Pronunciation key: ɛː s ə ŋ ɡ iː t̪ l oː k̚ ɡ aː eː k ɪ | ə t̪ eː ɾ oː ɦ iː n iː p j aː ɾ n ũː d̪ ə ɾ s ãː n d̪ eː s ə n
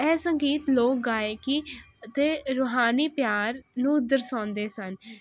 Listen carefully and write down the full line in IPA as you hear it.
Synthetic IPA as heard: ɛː s ə ŋ ɡ iː t̪ l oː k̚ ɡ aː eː k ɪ | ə t̪ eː ɾ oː ɦ aː n iː p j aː ɾ n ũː d̪ ə ɾ s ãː n d̪ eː s ə n